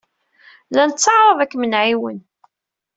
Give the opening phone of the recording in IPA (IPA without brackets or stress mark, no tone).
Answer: l